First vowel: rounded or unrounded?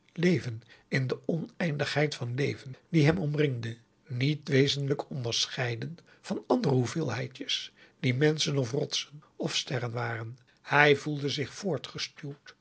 unrounded